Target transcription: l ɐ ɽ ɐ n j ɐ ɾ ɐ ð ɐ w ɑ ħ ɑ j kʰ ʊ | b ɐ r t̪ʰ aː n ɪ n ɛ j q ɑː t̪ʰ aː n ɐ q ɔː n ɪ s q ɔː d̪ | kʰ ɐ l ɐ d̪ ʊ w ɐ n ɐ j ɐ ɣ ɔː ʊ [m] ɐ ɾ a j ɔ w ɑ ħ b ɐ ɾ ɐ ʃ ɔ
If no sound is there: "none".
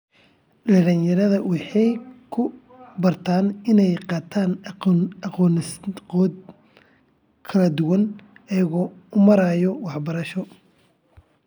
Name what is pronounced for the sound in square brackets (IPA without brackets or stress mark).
m